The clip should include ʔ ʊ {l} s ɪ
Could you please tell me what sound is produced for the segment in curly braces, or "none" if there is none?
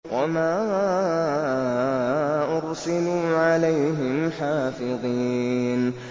ɾ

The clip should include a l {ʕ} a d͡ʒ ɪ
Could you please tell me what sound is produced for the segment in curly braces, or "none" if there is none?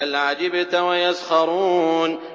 ʕ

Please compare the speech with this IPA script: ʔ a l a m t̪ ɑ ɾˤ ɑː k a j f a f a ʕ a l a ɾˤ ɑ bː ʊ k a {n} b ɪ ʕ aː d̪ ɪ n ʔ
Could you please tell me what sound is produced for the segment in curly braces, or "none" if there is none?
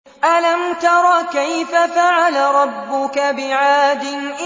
none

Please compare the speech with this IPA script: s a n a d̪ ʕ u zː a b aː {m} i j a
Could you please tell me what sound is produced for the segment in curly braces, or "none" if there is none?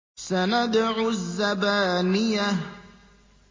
n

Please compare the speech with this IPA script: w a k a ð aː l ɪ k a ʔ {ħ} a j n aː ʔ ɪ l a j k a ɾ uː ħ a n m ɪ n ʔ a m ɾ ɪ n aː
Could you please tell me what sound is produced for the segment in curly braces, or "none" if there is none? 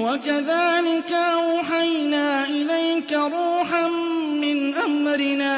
ħ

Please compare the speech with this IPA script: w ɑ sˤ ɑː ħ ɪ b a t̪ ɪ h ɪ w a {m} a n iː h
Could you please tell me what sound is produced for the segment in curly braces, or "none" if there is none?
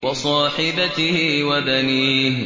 b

